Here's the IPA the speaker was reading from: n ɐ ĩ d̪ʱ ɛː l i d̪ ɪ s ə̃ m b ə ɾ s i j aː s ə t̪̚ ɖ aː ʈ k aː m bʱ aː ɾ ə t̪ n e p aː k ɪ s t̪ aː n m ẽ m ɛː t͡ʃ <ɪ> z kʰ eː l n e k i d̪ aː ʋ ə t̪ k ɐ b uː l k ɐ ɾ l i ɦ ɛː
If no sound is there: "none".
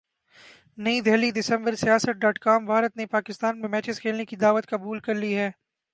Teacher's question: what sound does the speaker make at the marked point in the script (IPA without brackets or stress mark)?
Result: ɪ